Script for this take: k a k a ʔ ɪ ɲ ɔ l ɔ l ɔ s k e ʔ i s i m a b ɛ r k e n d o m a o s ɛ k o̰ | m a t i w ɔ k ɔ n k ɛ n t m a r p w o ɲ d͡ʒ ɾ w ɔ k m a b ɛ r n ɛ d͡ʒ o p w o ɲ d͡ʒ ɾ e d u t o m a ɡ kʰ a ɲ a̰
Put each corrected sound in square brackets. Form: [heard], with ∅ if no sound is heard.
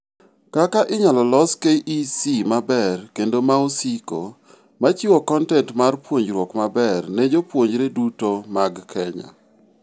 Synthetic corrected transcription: k a k a ʔ ɪ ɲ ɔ l ɔ l ɔ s k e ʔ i s i m a b ɛ r k e n d o m a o s [i] k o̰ | m a [t͡ʃ] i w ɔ k ɔ n [t] ɛ n t m a r p w o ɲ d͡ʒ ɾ w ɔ k m a b ɛ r n ɛ d͡ʒ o p w o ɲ d͡ʒ ɾ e d u t o m a ɡ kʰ [ɛ] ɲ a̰